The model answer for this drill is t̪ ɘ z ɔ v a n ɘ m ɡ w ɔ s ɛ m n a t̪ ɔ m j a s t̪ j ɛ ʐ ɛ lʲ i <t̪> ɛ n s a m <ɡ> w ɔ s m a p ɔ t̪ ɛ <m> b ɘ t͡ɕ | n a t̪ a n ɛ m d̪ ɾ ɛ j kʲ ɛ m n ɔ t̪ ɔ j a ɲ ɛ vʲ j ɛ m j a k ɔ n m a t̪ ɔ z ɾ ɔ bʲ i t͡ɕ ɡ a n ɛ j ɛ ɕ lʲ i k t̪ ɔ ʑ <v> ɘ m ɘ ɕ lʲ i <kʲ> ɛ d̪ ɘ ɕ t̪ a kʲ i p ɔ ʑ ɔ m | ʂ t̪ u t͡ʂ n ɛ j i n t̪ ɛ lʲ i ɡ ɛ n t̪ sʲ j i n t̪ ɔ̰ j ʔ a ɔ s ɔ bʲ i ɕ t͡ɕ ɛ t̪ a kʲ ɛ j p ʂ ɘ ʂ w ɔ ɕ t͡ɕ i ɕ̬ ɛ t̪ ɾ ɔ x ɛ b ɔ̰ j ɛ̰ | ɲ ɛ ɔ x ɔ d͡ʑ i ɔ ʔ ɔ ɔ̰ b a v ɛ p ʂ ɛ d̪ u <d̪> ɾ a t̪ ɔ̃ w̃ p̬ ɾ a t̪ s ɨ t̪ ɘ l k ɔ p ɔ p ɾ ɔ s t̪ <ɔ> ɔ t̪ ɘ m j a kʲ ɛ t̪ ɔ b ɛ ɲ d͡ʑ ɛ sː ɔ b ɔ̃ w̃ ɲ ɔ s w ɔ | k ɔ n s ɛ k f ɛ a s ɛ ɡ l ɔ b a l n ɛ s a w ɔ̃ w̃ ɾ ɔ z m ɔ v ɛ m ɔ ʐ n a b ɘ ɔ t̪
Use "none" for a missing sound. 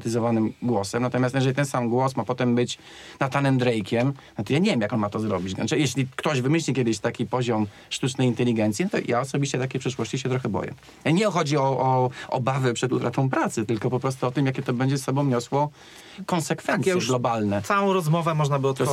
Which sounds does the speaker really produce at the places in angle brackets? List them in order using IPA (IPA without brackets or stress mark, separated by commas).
t̪, ɡ, m, v, kʲ, t̪, u